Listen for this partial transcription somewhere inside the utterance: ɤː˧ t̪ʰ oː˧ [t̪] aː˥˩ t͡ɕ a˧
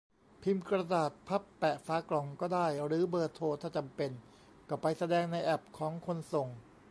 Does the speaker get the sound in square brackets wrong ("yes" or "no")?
yes